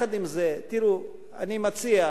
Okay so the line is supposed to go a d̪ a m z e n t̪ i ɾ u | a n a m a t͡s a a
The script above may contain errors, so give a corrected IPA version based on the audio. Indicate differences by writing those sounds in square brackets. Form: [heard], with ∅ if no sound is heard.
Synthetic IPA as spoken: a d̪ [i] m z e [∅] t̪ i ɾ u | a n [i] m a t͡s [i] a